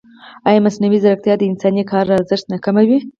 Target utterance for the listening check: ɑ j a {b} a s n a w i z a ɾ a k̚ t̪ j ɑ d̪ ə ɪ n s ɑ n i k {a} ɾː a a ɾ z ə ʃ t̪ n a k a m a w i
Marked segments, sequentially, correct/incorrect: incorrect: m, incorrect: ɑ

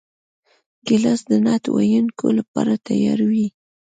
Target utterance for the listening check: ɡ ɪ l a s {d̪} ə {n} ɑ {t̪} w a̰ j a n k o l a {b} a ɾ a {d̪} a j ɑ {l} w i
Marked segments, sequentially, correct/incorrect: correct, correct, correct, incorrect: p, incorrect: t̪, incorrect: ɾ

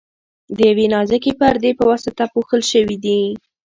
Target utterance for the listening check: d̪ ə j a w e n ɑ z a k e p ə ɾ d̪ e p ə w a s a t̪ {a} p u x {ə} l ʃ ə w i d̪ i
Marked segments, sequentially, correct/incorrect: correct, correct

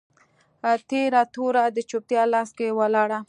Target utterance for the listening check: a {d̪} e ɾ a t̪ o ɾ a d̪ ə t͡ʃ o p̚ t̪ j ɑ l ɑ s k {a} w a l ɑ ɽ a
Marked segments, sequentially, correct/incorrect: incorrect: t̪, incorrect: e

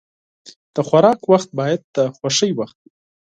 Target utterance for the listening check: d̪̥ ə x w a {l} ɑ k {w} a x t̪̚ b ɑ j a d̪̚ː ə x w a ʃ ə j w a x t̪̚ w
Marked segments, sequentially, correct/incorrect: incorrect: ɾ, correct

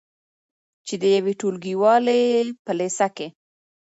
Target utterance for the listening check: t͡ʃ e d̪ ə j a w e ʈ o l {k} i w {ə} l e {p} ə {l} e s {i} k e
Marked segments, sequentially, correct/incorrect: incorrect: ɡ, incorrect: ɑ, correct, correct, incorrect: a

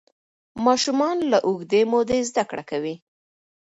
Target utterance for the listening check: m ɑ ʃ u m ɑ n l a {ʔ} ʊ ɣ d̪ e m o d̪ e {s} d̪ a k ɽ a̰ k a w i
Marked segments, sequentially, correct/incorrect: correct, incorrect: z

